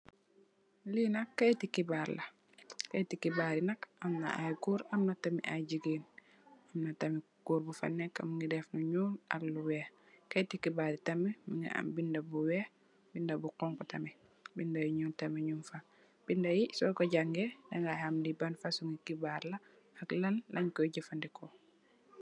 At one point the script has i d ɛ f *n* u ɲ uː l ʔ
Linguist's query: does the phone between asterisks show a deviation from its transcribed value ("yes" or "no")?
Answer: no